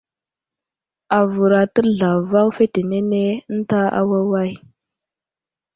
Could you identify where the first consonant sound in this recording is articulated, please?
labial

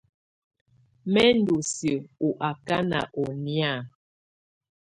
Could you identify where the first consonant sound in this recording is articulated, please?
labial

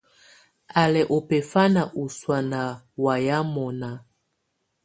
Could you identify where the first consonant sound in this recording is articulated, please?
alveolar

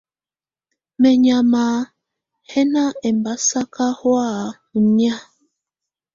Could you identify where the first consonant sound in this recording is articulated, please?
labial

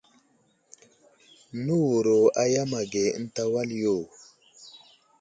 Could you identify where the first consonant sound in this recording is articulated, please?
alveolar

